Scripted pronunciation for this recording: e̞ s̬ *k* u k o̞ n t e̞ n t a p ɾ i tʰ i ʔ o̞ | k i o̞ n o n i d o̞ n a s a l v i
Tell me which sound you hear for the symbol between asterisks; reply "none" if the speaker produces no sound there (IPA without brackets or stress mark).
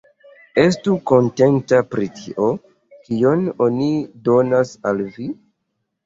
t